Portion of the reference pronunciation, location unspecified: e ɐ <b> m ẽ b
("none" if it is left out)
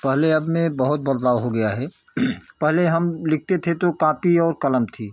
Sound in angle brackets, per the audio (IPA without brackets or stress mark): b